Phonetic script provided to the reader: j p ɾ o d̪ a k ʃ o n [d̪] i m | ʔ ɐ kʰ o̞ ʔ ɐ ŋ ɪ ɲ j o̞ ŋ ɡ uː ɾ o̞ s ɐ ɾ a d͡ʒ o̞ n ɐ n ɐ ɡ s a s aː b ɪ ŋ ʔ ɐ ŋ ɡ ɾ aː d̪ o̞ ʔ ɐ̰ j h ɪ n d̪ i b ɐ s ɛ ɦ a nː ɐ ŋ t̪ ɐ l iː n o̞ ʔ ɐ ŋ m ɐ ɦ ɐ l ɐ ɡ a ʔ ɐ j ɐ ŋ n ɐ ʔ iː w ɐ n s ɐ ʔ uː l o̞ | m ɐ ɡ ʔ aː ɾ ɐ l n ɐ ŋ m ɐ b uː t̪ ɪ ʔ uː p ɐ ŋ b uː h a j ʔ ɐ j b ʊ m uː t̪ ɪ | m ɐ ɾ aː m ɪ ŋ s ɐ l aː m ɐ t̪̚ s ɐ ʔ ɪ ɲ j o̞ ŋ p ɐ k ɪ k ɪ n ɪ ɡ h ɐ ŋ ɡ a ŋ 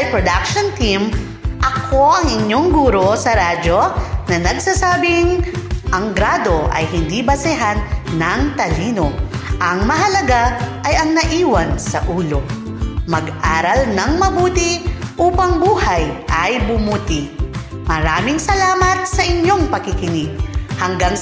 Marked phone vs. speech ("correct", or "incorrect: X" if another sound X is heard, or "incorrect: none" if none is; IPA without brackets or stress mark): incorrect: t̪